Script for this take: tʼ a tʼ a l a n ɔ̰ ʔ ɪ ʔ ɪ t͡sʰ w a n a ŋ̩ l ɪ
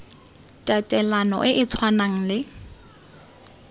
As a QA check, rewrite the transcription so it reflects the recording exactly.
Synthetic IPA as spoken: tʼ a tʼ ɛ l a n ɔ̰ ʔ ɪ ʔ ɪ t͡sʰ w a n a ŋ̩ l ɪ